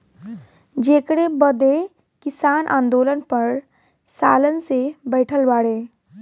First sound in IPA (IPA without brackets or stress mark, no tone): d͡ʒ